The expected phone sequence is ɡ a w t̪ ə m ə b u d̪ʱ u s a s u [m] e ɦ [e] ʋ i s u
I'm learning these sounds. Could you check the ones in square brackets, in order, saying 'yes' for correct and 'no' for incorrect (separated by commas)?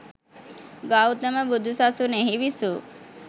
no, no